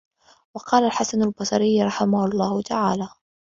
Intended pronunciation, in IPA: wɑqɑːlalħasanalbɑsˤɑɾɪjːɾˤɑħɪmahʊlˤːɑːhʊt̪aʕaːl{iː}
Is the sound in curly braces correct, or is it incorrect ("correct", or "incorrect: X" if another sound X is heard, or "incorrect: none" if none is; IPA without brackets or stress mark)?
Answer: incorrect: aː